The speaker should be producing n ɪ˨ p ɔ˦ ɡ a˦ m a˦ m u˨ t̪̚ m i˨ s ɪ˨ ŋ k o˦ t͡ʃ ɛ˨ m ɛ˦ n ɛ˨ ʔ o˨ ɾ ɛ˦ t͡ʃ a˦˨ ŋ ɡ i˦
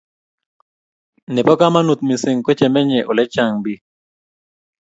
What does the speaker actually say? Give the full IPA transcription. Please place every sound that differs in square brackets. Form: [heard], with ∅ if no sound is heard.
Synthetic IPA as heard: n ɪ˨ p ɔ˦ [k] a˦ m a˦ [n] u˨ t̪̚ m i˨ s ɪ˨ ŋ k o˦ t͡ʃ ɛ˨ m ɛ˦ [ɲ] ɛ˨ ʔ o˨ [l] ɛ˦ t͡ʃ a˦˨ ŋ [b] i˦